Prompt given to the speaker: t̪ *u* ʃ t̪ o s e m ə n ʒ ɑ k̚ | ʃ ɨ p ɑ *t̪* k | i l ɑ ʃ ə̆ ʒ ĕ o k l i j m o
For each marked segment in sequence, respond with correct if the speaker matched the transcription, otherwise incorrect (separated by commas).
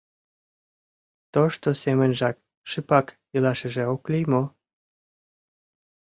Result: incorrect, incorrect